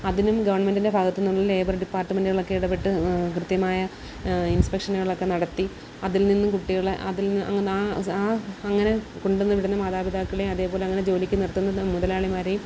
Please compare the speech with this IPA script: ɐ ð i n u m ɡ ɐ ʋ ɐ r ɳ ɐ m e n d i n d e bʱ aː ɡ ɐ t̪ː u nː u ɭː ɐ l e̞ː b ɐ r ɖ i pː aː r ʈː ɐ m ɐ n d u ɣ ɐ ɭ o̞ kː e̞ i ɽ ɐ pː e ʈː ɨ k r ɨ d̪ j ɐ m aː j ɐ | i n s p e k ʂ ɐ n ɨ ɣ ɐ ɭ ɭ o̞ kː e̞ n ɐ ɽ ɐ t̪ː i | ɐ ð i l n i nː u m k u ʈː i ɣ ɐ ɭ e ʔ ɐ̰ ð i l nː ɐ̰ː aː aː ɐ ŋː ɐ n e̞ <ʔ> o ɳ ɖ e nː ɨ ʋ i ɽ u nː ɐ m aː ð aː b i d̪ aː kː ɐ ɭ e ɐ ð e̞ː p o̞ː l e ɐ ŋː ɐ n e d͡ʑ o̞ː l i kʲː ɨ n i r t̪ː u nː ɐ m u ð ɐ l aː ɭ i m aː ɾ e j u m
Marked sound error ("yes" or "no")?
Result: yes